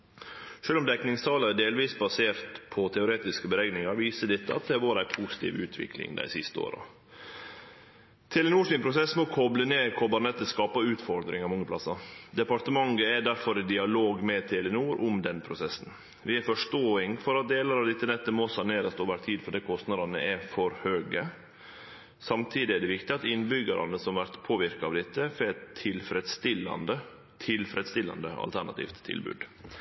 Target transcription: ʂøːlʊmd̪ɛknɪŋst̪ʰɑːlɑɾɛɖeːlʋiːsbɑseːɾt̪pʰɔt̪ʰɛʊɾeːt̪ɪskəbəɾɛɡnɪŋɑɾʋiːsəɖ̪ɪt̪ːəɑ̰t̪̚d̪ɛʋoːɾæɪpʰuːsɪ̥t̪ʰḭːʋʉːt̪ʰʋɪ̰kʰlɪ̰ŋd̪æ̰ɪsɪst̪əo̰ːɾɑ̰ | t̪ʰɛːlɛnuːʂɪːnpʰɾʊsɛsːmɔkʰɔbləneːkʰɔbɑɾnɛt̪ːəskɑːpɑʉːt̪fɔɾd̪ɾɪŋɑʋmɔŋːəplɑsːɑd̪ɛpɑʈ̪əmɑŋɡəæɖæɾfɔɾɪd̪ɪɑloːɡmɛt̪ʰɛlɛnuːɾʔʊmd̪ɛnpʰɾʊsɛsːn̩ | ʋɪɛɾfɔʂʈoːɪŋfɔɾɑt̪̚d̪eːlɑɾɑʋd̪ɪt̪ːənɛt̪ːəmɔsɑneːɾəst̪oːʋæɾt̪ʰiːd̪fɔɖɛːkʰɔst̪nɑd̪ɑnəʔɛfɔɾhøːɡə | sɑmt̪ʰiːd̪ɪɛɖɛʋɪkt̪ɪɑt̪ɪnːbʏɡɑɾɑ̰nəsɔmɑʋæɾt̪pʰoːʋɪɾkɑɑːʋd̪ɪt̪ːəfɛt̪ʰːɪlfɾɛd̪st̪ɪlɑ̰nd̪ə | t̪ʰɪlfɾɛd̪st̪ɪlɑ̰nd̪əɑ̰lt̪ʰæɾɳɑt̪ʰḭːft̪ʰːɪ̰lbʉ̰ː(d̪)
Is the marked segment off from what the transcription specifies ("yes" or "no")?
no